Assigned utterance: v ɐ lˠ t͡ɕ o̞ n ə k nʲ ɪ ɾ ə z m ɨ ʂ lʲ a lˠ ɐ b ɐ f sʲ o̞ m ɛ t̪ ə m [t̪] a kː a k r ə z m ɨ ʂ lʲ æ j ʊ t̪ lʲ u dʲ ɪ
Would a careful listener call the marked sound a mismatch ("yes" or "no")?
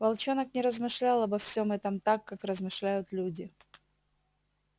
no